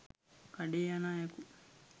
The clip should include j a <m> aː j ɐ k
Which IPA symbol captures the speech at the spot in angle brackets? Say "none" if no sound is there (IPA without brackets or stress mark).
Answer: n